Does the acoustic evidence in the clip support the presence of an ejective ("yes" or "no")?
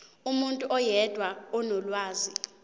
yes